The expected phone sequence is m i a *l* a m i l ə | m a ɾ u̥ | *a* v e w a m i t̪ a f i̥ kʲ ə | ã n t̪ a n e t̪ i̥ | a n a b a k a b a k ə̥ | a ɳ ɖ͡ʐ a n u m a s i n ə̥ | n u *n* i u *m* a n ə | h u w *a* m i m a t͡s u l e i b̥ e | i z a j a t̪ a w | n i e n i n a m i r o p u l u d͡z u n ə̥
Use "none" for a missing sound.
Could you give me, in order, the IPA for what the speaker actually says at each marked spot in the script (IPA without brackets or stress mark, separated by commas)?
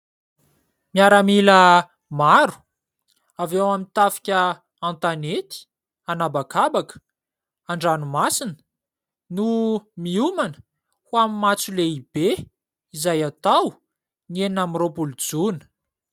ɾ, a, m, m, a